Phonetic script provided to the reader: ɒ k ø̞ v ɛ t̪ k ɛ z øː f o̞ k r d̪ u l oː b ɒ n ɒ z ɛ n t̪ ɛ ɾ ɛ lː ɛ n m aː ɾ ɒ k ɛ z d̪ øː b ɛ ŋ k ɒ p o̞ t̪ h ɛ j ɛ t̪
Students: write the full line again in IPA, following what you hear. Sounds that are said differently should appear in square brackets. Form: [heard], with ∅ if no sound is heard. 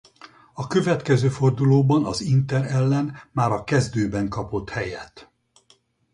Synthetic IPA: ɒ k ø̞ v ɛ t̪ k ɛ z øː f o̞ [∅] r d̪ u l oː b ɒ n ɒ z [i] n t̪ ɛ ɾ ɛ lː ɛ n m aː ɾ ɒ k ɛ z d̪ øː b ɛ ŋ k ɒ p o̞ t̪ h ɛ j ɛ t̪